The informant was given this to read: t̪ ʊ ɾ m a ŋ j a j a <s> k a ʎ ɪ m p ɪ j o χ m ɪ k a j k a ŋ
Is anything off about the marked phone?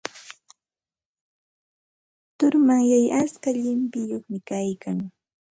no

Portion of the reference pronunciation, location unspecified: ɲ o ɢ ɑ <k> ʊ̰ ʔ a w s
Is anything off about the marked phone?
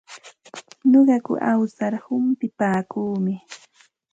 no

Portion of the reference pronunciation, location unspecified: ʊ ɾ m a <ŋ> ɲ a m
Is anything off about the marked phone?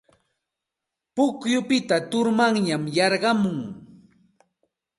no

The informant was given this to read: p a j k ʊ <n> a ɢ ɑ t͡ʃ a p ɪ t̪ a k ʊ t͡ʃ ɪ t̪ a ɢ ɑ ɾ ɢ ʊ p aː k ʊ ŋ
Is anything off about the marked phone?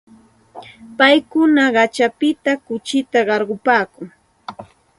no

